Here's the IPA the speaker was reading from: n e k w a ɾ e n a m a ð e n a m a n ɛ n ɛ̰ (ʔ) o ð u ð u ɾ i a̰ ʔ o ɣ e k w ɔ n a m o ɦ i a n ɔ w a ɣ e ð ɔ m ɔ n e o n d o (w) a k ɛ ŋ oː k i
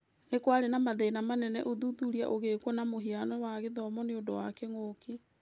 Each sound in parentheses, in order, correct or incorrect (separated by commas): correct, correct